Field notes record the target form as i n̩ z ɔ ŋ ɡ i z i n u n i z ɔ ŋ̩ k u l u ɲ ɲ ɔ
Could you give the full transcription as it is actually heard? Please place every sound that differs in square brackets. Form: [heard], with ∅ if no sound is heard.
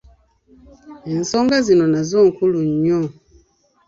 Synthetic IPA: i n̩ [s] ɔ ŋ ɡ [a] z i n [ɔ] n [a] z ɔ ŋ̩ k u l u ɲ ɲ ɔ

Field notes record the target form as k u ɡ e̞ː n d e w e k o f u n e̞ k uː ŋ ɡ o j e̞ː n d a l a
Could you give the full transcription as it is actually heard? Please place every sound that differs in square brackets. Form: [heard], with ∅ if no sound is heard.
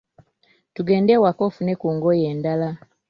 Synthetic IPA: [t] u ɡ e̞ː n d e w [a] k o f u n e̞ k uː ŋ ɡ o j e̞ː n d a l a

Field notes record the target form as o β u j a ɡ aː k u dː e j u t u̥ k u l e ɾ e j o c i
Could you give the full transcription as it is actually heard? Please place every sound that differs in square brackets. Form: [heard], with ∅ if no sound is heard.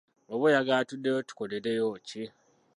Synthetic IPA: o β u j a ɡ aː [t] u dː e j [o] t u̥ k [o] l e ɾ e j o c i

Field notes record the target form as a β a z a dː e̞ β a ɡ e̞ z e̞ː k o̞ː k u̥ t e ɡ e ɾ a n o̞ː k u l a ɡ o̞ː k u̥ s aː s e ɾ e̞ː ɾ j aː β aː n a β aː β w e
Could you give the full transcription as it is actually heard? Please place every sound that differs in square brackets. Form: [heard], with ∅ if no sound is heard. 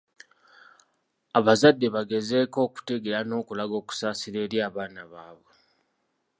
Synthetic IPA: a β a z a dː e̞ β a ɡ e̞ z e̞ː k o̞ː k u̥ t e ɡ e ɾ a n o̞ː k u l a ɡ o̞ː k u̥ s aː s [i] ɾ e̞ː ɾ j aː β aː n a β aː β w e

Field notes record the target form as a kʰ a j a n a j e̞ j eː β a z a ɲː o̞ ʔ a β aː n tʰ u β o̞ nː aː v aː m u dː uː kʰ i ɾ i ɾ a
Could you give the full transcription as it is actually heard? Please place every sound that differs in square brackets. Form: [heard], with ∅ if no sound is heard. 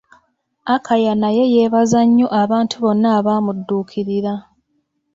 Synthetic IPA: a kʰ a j a n a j e̞ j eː β a z a ɲː o̞ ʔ a β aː n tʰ u β o̞ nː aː [β] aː m u dː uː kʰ i ɾ i ɾ a

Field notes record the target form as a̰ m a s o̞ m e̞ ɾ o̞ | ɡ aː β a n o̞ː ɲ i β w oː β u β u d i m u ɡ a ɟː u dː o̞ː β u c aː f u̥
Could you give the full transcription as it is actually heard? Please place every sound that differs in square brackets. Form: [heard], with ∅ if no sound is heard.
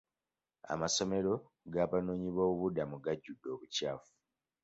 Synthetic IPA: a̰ m a s o̞ m e̞ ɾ o̞ | ɡ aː β a n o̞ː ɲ i β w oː β u β u d [a] m u ɡ a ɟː u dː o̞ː β u c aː f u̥

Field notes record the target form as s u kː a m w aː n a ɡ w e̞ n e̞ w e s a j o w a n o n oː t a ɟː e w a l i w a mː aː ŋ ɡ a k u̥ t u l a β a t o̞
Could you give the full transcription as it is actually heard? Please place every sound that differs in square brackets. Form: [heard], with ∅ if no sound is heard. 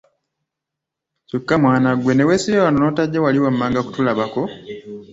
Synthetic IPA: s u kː a m w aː n a ɡ w e̞ n e̞ w e s [i] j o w a n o n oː t a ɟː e w a l i w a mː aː ŋ ɡ a k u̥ t u l a β a [k] o̞

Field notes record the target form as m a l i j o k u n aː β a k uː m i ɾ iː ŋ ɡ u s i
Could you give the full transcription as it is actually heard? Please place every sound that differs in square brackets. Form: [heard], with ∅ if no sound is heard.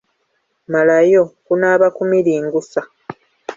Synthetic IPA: m a l [a] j o k u n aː β a k [u] m i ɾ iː ŋ ɡ u s [a]

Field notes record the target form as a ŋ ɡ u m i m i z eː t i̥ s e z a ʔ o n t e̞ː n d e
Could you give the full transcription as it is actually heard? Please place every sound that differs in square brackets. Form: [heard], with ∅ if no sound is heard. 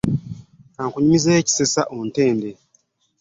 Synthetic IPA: a ŋ [k] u [ɲ] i m i z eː [c] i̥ s e [s] a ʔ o n t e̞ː n d e

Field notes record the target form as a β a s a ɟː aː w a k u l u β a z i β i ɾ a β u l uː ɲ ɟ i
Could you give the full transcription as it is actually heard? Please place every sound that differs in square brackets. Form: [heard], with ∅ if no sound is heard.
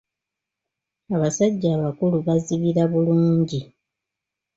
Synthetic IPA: a β a s a ɟː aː [β] a k u l u β a z i β i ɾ a β u l uː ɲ ɟ i

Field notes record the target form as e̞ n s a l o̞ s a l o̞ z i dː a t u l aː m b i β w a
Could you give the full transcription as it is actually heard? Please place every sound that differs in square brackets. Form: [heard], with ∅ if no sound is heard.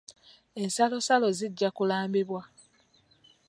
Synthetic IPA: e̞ n s a l o̞ s a l o̞ z i [ɟː] a [k] u l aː m b i β w a

